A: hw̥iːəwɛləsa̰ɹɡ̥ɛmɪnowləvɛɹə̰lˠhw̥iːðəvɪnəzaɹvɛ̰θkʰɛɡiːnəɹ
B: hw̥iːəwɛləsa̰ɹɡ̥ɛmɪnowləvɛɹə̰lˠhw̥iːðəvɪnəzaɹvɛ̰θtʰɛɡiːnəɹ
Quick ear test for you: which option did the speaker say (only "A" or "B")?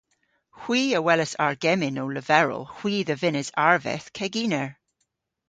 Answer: A